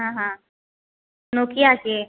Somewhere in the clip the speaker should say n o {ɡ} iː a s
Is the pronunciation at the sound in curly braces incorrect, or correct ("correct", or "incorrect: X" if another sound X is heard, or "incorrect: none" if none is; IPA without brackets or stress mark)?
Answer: incorrect: k